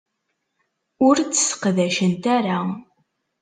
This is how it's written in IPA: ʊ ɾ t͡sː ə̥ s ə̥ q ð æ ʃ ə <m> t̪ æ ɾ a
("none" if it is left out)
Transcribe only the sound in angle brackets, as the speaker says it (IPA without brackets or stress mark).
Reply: n